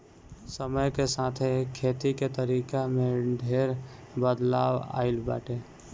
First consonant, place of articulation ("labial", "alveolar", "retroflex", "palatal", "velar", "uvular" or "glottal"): alveolar